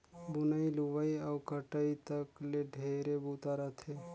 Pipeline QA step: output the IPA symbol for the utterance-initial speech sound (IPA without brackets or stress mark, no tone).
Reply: b